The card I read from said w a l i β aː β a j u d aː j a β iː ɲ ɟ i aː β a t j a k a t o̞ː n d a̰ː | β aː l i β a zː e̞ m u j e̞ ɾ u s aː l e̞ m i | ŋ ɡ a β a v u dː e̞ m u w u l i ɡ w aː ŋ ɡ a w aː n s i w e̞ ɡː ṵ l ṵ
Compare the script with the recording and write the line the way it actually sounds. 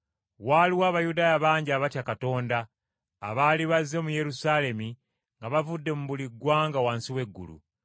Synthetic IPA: w a l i w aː β a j u d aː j a β aː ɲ ɟ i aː β a t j a k a t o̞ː n d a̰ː | β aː l i β a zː e̞ m u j e̞ ɾ u s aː l e̞ m i | ŋ ɡ a β a v u dː e̞ m u β u l i ɡ w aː ŋ ɡ a w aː n s i w e̞ ɡː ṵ l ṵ